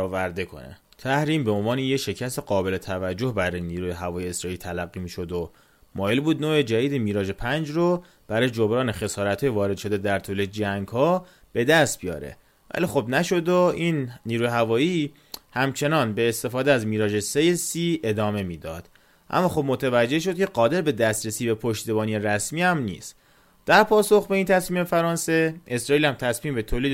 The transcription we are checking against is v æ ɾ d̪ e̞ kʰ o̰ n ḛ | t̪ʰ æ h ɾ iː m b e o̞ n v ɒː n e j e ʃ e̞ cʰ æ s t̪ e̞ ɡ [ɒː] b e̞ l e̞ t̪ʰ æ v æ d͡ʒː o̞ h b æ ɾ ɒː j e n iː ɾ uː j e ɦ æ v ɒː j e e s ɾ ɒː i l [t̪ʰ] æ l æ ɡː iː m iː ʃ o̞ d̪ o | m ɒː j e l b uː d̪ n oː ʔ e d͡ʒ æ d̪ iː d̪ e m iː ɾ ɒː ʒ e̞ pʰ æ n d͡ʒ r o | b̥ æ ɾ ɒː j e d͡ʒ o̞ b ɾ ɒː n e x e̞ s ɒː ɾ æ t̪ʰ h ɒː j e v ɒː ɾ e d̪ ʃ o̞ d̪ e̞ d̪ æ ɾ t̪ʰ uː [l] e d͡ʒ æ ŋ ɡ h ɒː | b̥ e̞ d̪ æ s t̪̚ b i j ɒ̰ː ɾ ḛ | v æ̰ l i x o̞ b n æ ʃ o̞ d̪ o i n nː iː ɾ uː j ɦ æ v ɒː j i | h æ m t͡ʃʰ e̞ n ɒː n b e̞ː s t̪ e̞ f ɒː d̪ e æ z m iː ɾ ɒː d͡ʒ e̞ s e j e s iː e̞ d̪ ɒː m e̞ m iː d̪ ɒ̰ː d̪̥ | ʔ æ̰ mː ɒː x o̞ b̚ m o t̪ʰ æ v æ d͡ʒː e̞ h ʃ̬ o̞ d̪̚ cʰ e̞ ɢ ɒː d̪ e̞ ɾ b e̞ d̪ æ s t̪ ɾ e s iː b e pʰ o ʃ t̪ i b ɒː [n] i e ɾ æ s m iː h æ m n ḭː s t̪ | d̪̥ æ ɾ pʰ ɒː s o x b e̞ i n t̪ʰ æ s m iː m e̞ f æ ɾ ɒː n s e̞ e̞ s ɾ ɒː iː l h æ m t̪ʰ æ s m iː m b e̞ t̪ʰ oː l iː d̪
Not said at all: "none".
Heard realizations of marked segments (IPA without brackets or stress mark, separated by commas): ɒː, t̪ʰ, l, n